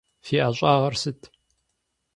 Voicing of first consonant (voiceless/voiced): voiceless